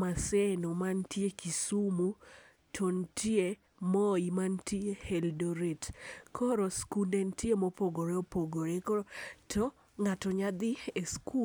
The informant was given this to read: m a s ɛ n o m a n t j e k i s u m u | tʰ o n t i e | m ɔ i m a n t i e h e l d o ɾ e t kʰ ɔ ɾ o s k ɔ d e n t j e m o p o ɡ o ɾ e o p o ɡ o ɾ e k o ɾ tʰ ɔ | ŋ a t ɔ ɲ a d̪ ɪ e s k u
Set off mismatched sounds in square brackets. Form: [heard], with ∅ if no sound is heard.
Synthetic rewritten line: m a s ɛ n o m a n t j e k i s u m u | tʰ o n t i e | m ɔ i m a n t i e h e l d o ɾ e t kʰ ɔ ɾ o s k [u] d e n t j e m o p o ɡ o ɾ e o p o ɡ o ɾ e k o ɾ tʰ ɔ | ŋ a t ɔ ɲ a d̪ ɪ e s k u